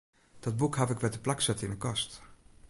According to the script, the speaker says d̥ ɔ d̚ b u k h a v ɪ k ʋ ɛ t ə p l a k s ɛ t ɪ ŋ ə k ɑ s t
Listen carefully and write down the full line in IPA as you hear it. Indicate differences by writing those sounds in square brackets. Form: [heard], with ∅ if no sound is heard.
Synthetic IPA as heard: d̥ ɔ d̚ b u k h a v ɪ k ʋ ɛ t ə p l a k s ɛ t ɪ [n] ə k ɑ s t